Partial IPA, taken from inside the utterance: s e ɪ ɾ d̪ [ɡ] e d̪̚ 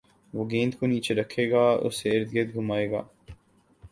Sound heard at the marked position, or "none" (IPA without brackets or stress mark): ɡ